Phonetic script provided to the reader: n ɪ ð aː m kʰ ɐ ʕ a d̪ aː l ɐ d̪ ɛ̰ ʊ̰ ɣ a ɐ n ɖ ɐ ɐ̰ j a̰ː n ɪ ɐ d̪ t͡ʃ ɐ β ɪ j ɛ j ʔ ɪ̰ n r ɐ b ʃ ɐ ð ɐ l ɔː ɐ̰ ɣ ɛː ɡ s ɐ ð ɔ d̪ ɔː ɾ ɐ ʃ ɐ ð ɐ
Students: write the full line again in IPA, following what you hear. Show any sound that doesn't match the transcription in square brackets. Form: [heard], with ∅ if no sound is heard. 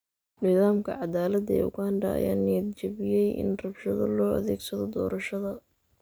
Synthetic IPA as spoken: n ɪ ð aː m kʰ ɐ ʕ [ɑ] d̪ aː l ɐ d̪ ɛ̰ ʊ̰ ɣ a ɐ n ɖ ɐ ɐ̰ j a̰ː n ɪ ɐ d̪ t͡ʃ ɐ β ɪ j ɛ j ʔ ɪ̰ n r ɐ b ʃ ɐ ð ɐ l ɔː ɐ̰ [ð] ɛː ɡ s ɐ ð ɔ d̪ ɔː ɾ ɐ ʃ ɐ ð ɐ